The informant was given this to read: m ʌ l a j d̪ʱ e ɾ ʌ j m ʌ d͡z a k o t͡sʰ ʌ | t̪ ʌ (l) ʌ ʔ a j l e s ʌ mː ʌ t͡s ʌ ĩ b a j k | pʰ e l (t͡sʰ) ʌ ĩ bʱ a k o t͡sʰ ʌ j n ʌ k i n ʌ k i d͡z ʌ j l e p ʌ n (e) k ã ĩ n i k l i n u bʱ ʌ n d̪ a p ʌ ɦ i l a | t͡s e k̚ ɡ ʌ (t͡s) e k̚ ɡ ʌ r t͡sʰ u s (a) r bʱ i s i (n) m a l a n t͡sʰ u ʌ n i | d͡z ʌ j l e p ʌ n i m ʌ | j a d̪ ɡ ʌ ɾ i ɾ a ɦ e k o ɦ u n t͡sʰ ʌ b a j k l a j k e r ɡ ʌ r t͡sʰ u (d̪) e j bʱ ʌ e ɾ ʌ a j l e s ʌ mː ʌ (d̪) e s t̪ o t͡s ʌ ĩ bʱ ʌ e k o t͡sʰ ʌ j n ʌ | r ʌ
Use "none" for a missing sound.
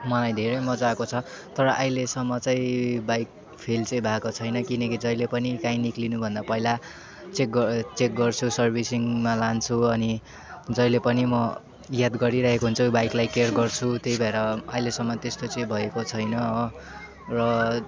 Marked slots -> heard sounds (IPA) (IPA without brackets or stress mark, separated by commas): ɾ, t͡s, i, t͡s, ʌ, ŋ, t̪, t̪